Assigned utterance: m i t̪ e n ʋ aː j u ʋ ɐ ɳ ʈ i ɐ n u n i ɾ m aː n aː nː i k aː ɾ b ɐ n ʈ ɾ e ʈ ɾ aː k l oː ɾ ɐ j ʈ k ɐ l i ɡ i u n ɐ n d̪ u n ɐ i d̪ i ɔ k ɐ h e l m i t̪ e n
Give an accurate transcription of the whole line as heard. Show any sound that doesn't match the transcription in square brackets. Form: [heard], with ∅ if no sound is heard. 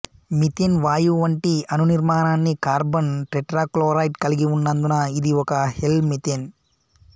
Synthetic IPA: m i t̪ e n ʋ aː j u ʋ ɐ ɳ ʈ i ɐ n u n i ɾ m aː n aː nː i k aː ɾ b ɐ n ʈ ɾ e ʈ ɾ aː k l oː ɾ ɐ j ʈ k ɐ l i ɡ i u [nː] ɐ n d̪ u n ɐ i d̪ i ɔ k ɐ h e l m i t̪ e n